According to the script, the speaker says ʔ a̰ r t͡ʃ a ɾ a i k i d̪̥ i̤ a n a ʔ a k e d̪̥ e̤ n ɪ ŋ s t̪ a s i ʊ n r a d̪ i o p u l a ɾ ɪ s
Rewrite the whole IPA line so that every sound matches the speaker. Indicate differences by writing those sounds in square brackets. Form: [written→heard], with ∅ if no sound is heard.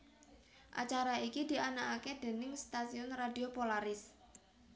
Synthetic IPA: ʔ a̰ [r→∅] t͡ʃ a ɾ a i k i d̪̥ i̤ a n a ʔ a k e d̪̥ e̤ n ɪ ŋ s t̪ a s i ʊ n r a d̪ i o p [u→o] l a ɾ ɪ s